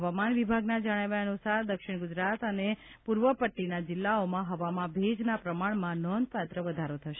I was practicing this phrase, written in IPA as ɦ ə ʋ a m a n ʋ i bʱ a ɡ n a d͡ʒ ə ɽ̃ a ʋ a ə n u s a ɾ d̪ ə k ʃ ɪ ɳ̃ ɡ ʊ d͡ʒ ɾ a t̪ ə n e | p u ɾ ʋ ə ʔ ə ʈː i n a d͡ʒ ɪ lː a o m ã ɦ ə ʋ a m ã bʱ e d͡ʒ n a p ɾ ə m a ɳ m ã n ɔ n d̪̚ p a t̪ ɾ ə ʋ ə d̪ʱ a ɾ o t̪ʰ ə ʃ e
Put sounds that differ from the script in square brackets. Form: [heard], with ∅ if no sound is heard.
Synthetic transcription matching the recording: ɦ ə ʋ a m a n ʋ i bʱ a ɡ n a d͡ʒ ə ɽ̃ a ʋ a ə n u s a ɾ d̪ ə k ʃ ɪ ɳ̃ ɡ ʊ d͡ʒ ɾ a t̪ ə n e | p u ɾ ʋ ə [p] ə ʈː i n a d͡ʒ ɪ lː a o m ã ɦ ə ʋ a m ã bʱ e d͡ʒ n a p ɾ ə m a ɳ m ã n ɔ n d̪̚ p a t̪ ɾ ə ʋ ə d̪ʱ a ɾ o t̪ʰ ə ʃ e